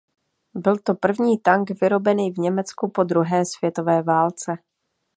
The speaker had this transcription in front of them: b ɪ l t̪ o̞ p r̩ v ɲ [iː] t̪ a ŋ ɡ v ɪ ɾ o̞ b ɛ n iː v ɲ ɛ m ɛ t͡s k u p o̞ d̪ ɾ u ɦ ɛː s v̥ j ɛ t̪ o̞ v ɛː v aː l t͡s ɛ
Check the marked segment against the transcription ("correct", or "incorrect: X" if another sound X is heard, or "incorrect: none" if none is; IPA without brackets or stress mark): correct